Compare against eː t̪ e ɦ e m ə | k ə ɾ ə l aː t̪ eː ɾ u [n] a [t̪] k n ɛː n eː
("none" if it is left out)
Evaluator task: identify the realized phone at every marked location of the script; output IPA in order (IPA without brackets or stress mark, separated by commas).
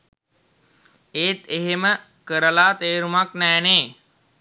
m, none